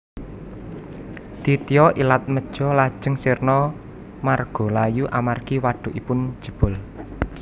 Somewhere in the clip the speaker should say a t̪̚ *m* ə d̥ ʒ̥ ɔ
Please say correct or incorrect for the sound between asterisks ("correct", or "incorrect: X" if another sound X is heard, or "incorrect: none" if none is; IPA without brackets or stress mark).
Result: correct